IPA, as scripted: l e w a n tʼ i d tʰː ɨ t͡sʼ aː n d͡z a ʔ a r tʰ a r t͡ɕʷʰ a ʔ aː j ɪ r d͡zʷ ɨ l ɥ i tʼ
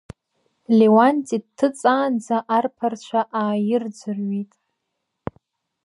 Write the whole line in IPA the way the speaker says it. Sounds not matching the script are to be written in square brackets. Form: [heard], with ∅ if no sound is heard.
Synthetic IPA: l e w a n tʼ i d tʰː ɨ t͡sʼ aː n d͡z a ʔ a r [pʰ] a r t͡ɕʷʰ a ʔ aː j ɪ r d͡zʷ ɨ [r] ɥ i tʼ